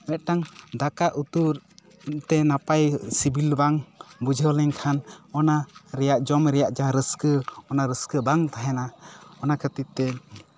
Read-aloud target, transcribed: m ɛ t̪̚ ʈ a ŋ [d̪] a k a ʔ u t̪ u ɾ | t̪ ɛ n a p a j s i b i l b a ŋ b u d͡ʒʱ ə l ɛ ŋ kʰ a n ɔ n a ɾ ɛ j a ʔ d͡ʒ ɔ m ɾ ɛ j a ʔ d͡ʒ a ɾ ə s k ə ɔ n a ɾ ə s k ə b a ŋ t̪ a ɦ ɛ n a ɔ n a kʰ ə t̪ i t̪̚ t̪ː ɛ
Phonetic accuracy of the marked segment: correct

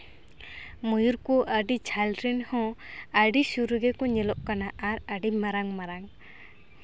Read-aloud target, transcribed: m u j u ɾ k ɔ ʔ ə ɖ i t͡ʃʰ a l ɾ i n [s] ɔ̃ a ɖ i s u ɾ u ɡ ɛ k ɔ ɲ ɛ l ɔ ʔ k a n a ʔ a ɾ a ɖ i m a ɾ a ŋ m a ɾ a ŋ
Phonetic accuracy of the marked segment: incorrect: h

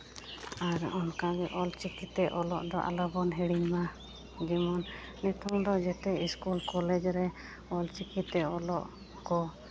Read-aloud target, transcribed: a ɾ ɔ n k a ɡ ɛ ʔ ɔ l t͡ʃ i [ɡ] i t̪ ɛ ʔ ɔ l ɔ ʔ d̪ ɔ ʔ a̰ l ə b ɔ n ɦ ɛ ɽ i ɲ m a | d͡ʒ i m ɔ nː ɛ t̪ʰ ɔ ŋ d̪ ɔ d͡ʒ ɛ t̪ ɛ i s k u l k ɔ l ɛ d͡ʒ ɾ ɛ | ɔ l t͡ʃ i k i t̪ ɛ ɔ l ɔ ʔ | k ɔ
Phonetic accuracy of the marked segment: incorrect: k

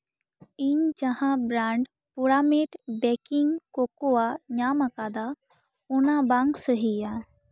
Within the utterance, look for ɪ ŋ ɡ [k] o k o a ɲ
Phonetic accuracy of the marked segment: correct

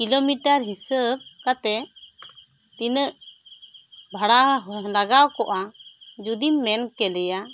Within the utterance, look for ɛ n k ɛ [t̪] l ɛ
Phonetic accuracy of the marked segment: incorrect: none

